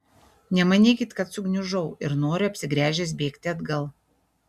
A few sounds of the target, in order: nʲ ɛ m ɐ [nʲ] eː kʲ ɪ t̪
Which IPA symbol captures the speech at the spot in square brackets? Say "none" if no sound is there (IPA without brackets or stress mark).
nʲ